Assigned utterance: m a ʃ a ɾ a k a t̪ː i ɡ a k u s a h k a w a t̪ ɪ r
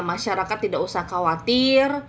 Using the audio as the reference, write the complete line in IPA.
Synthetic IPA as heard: m a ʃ a ɾ a k a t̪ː i d a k u s a h k a w a t̪ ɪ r